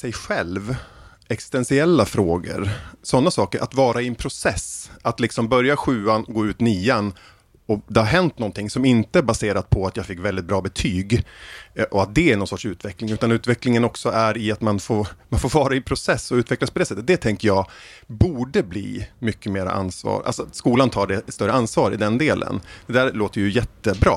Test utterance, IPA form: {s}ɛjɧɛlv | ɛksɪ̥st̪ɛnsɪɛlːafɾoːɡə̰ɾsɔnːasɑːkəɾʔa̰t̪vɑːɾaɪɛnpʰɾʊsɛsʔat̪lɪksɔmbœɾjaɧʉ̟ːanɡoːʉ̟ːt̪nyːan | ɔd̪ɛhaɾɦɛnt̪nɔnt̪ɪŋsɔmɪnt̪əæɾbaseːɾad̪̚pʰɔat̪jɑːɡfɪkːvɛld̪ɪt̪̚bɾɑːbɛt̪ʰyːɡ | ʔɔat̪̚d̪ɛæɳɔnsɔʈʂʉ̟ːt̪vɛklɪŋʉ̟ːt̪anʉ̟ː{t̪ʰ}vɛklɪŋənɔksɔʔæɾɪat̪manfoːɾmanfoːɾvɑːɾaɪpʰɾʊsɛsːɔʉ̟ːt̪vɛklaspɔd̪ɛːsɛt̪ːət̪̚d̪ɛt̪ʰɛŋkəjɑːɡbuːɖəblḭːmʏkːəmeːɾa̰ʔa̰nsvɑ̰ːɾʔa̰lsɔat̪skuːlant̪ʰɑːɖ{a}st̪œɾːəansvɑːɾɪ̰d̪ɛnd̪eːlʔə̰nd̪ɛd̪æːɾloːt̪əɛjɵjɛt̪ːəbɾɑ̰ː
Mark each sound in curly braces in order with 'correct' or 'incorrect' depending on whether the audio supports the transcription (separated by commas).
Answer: correct, incorrect, incorrect